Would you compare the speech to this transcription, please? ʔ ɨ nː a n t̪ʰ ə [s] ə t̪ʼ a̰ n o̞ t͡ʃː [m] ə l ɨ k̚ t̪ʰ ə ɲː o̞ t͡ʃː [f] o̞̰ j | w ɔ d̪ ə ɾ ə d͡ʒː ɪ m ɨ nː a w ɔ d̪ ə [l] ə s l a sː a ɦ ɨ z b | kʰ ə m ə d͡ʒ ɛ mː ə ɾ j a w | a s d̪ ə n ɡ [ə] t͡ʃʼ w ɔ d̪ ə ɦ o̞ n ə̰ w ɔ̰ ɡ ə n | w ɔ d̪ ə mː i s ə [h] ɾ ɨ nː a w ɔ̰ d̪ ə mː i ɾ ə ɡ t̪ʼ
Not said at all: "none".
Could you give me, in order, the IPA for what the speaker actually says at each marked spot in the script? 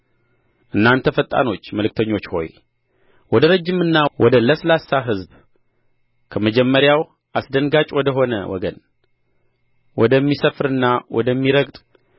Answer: f, m, h, l, a, f

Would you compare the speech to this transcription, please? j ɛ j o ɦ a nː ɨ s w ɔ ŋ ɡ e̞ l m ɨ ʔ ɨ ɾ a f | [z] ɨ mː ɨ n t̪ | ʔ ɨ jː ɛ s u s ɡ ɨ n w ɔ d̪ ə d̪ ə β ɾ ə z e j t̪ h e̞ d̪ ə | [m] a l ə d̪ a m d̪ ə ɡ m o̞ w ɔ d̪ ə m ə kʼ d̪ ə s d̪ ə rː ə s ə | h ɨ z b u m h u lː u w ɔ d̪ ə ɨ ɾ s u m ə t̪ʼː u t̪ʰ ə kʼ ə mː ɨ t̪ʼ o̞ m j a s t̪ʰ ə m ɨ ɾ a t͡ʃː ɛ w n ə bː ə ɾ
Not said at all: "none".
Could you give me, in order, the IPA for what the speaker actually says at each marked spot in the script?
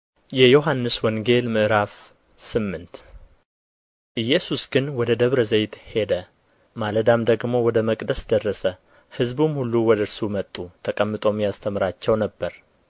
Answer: s, m

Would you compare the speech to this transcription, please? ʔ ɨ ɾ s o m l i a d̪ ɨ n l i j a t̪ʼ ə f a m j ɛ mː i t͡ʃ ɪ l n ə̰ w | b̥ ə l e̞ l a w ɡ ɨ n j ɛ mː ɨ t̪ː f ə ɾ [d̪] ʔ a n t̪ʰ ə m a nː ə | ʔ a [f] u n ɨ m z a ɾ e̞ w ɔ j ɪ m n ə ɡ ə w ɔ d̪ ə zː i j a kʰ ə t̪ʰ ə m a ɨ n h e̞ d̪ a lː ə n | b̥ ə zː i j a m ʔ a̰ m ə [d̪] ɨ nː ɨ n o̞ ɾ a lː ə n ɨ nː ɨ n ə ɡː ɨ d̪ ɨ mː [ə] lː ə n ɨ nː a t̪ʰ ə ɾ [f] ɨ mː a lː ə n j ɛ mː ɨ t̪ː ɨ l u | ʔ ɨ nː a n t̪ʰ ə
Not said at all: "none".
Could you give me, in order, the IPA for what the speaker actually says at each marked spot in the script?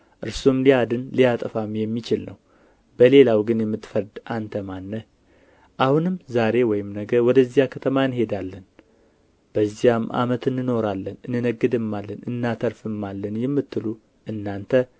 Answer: d̪, h, t̪, a, f

